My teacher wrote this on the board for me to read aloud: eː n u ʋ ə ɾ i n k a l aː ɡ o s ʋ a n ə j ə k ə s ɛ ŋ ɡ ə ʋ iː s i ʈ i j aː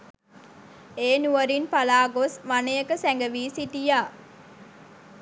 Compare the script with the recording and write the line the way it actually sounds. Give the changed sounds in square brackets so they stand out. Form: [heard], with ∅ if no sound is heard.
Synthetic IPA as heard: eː n u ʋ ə ɾ i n [p] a l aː ɡ o s ʋ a n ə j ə k ə s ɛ ŋ ɡ ə ʋ iː s i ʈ i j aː